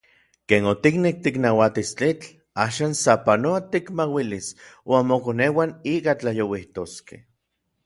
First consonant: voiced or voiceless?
voiceless